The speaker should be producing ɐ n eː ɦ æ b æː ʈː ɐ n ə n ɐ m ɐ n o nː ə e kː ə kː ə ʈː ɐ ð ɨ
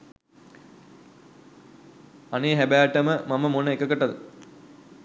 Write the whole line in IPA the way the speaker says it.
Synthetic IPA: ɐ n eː ɦ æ b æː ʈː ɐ m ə m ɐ m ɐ m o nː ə e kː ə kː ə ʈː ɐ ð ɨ